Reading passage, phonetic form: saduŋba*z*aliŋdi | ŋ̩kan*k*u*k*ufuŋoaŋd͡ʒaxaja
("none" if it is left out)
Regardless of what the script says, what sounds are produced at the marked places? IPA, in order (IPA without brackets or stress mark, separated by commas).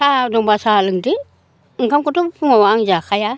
s, k, t